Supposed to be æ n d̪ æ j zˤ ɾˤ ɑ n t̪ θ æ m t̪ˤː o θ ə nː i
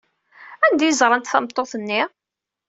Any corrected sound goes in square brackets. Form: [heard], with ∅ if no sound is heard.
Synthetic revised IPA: æ n d̪ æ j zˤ ɾˤ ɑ n t̪ θ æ m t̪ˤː o θ ə nː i